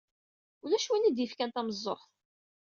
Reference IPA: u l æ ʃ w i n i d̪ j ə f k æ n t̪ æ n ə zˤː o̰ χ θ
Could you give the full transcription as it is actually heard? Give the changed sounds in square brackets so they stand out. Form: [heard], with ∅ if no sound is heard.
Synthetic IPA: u l æ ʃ w i n i d̪ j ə f k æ n t̪ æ [m] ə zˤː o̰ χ θ